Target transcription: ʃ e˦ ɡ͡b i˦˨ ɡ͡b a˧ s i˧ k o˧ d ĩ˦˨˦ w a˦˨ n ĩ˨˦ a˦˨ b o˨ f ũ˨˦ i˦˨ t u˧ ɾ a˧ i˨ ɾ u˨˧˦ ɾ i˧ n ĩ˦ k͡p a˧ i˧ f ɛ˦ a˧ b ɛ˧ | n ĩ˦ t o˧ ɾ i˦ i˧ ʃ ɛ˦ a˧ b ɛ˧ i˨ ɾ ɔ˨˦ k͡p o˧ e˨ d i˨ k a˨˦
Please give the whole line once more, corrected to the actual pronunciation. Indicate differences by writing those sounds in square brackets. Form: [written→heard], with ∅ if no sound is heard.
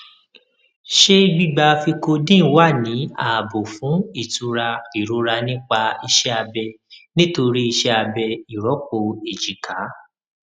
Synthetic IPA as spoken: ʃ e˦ ɡ͡b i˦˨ ɡ͡b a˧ [s→f] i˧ k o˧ d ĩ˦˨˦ w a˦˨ n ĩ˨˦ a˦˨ b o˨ f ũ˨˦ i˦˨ t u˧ ɾ a˧ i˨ ɾ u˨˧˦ ɾ [i˧→a˧] n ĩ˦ k͡p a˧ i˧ [f→ʃ] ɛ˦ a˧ b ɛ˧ | n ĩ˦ t o˧ ɾ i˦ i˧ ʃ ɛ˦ a˧ b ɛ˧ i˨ ɾ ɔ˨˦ k͡p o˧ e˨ [d→d͡ʒ] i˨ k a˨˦